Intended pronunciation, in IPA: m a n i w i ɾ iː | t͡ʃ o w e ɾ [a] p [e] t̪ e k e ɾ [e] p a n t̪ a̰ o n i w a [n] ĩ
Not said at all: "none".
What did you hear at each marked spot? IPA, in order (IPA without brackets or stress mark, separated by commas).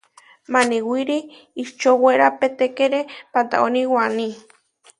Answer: a, e, e, n